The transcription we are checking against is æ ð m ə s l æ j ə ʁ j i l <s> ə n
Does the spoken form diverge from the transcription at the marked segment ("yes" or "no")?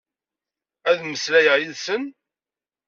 no